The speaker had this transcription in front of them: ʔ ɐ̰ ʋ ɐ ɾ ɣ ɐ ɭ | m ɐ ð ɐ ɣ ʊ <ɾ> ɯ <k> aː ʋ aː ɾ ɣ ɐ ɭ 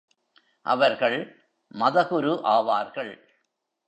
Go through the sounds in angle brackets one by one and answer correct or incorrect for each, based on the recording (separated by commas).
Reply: correct, incorrect